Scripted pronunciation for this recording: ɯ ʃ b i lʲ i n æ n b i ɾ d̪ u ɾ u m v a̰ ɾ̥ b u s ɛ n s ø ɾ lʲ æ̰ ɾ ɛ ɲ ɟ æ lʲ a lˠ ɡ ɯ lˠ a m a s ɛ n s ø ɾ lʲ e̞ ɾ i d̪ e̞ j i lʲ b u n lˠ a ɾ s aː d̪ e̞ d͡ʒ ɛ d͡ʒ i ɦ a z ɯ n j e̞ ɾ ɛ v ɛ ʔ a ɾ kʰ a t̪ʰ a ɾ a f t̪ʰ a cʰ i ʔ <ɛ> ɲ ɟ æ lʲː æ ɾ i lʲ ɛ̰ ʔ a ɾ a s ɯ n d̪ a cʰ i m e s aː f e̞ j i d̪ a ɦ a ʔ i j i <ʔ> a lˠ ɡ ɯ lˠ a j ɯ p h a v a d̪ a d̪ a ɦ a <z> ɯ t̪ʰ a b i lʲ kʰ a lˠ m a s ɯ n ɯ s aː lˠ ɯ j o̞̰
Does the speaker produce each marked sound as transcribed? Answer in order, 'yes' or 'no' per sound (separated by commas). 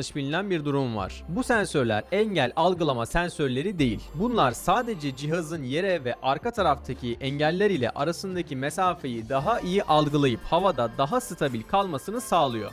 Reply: yes, yes, no